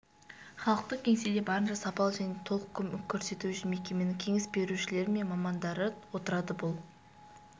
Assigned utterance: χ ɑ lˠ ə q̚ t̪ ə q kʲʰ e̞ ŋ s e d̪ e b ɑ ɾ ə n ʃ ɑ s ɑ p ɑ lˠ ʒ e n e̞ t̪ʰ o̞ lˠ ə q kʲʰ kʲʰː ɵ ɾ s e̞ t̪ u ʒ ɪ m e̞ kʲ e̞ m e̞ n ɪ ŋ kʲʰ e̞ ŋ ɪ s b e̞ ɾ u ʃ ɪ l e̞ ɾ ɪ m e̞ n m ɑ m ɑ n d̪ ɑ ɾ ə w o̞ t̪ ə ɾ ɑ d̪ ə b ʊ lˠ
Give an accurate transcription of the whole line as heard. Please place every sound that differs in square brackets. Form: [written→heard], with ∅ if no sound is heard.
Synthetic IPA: χ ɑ lˠ ə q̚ t̪ ə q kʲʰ e̞ ŋ s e d̪ e b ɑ ɾ ə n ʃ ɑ s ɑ p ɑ lˠ ʒ [e→æ] n e̞ t̪ʰ o̞ lˠ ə q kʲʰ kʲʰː ɵ ɾ s e̞ t̪ u [ʒ→ʃ] ɪ m e̞ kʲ e̞ m e̞ n ɪ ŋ kʲʰ e̞ ŋ ɪ s b e̞ ɾ u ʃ ɪ l e̞ ɾ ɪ m e̞ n m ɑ m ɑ n d̪ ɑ ɾ ə w o̞ t̪ ə ɾ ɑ d̪ ə b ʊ lˠ